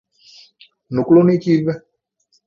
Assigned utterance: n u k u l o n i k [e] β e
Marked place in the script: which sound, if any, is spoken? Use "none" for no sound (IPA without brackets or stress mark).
i